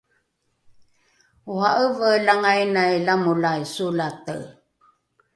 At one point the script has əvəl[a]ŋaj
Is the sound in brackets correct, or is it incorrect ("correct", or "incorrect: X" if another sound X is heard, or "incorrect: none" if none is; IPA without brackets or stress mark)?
correct